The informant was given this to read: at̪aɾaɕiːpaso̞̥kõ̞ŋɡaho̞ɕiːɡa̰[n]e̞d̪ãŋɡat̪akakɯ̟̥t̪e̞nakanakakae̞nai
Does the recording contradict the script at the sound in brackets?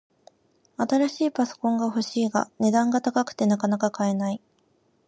no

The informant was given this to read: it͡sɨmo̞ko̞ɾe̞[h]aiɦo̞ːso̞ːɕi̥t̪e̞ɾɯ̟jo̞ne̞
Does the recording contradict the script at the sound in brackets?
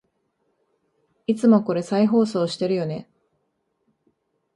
yes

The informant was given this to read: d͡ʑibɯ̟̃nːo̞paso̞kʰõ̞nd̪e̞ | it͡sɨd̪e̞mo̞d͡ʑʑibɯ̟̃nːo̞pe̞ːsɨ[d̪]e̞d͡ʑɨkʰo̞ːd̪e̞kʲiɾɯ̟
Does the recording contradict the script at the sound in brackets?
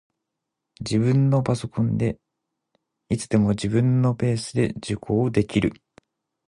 no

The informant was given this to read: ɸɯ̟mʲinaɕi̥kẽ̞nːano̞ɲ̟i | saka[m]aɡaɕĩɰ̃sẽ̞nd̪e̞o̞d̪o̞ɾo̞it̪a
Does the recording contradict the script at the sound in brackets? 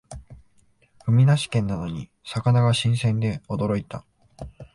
yes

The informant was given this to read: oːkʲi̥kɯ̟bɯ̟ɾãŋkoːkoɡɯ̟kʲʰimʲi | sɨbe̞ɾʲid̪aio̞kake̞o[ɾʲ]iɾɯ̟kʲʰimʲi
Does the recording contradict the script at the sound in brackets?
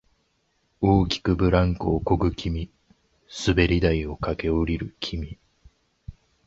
no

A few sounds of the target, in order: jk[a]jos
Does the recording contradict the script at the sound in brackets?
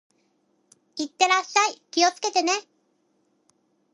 yes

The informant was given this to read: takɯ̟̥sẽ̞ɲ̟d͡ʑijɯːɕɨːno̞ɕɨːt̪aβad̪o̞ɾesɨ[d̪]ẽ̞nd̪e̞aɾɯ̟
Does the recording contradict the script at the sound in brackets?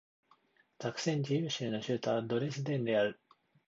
no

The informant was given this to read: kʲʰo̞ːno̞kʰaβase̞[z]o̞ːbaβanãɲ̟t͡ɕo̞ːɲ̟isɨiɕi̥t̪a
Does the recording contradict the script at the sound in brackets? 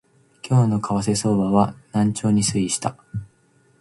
yes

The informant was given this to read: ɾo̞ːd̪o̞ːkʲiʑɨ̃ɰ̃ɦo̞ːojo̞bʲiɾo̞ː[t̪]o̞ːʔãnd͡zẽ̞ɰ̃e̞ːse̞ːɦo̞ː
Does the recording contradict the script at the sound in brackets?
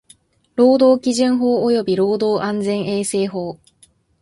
yes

